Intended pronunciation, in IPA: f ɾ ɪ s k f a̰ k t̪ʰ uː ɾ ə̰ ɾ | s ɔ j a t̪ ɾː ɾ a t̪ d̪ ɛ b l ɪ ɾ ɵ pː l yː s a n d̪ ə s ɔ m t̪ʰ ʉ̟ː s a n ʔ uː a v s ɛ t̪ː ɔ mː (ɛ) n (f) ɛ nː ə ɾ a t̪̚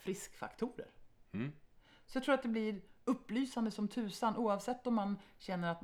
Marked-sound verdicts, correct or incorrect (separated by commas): incorrect, incorrect